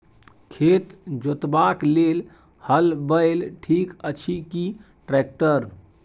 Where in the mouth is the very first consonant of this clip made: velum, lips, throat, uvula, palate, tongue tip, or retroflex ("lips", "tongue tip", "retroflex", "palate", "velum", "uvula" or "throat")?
velum